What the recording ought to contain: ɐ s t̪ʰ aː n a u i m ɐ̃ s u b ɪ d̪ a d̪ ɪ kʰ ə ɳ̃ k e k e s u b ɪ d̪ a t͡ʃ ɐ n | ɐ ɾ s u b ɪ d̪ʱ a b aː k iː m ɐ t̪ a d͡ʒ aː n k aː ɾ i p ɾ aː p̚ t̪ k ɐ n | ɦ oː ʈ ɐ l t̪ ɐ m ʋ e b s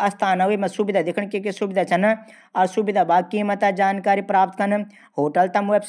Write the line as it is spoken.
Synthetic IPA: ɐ s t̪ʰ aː n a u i m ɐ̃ s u b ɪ d̪ a d̪ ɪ kʰ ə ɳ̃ k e k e s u b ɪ d̪ a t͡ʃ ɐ n | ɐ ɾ s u b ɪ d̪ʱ a b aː k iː m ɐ t̪ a d͡ʒ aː n k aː ɾ i p ɾ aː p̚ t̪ k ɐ n | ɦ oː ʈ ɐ l t̪ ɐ m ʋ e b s